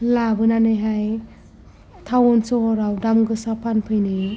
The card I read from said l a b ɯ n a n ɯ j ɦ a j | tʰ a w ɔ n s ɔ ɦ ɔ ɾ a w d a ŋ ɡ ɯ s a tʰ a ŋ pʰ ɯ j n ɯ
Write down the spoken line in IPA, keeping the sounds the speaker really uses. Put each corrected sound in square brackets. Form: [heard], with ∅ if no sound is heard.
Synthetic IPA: l a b ɯ n a n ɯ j ɦ a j | tʰ a w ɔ n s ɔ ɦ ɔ ɾ a w d a [m] ɡ ɯ s a [pʰ] a [n] pʰ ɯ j n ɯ